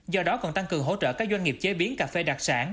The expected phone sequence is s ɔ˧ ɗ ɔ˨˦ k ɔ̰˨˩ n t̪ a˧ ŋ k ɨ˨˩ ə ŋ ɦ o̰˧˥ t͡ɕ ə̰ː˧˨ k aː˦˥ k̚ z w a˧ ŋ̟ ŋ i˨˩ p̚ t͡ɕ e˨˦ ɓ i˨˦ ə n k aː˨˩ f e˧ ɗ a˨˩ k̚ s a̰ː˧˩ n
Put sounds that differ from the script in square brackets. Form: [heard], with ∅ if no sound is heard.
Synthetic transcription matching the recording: [z] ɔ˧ ɗ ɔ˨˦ k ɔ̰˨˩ n t̪ a˧ ŋ k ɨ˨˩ ə ŋ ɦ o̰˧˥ t͡ɕ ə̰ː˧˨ k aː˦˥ k̚ z w a˧ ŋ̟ ŋ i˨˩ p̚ t͡ɕ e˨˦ ɓ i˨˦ ə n k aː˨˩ f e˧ ɗ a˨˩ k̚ s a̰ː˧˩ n